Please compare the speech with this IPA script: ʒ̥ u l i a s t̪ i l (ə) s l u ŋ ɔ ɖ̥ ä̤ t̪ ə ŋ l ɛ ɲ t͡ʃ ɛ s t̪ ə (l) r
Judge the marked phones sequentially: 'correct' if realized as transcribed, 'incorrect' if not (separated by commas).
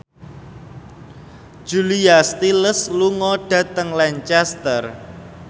correct, incorrect